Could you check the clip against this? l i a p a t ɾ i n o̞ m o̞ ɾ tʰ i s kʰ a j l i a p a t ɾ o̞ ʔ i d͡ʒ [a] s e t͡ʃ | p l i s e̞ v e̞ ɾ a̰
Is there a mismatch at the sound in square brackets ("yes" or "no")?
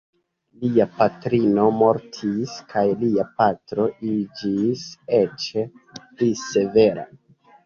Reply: yes